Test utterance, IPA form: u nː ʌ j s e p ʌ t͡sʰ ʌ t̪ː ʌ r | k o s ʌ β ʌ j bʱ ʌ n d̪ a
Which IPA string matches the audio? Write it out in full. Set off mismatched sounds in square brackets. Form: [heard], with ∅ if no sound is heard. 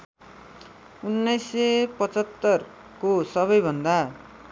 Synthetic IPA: u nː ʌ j s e p ʌ [t͡s] ʌ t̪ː ʌ r | k o s ʌ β ʌ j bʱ ʌ n d̪ a